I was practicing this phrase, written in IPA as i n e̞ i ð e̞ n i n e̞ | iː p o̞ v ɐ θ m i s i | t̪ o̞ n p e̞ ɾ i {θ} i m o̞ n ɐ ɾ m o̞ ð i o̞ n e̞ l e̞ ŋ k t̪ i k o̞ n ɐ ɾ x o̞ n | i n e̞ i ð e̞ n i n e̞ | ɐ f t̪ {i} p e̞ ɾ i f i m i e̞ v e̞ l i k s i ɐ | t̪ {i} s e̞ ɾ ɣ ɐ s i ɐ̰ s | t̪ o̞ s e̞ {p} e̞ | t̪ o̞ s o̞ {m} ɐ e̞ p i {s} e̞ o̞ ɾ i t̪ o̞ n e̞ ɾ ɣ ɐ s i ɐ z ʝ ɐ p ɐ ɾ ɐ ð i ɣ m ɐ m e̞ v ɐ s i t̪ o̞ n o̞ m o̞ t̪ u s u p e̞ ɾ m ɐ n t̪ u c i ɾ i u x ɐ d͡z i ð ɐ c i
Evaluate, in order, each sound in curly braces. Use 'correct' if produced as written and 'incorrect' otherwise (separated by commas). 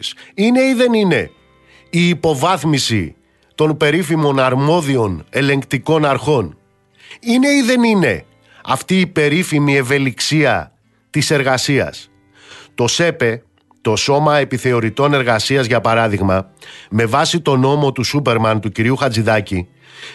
incorrect, incorrect, correct, correct, correct, incorrect